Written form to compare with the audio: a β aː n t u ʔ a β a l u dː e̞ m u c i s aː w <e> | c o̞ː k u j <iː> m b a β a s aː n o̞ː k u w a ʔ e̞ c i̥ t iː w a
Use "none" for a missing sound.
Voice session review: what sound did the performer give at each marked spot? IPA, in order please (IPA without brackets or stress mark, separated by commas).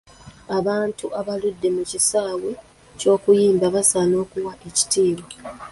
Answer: e, iː